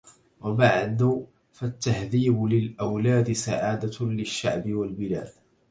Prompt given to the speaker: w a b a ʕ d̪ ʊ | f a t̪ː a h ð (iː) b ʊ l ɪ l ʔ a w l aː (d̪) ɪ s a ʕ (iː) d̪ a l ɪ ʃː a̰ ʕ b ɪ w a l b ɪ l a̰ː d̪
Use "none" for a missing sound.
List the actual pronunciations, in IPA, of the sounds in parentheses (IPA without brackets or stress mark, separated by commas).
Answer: iː, d̪, aː